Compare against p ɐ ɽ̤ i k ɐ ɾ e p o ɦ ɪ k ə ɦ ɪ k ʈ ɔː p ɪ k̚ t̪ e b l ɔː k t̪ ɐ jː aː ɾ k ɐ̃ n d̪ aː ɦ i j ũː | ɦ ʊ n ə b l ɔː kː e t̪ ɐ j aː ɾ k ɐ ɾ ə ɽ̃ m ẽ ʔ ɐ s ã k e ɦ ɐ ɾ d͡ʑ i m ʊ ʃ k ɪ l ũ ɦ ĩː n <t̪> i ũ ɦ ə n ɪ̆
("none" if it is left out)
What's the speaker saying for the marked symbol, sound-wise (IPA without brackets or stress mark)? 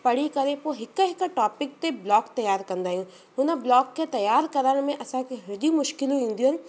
d̪